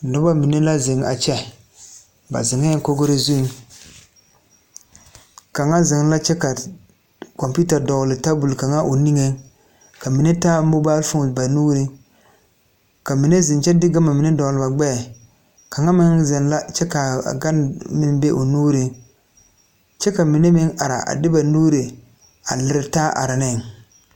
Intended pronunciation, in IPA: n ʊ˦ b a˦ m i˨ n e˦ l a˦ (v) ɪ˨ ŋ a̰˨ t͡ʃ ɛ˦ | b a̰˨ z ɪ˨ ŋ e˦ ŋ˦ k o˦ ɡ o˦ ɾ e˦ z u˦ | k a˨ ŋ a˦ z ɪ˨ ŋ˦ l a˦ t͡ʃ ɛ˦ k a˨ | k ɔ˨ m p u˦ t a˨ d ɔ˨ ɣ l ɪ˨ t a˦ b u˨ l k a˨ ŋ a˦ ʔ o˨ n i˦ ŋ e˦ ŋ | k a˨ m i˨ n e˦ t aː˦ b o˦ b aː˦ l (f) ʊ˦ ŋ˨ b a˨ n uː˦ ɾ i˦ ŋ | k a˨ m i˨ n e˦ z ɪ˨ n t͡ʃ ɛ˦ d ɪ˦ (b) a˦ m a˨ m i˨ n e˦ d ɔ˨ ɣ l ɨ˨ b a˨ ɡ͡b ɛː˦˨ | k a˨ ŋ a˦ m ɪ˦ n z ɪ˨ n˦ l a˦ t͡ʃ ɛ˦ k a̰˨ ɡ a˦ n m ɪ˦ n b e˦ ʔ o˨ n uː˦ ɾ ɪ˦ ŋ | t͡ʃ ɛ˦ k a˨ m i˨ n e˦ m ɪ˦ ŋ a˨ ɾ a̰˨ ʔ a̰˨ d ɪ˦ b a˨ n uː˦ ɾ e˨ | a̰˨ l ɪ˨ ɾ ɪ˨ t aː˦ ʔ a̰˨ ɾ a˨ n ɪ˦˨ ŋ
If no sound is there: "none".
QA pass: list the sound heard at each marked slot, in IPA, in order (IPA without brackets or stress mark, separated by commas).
z, f, ɡ